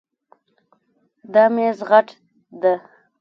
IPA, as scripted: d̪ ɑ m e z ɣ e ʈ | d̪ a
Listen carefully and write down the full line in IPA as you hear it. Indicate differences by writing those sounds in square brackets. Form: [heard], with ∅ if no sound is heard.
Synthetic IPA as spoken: d̪ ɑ m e z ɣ [a] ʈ | d̪ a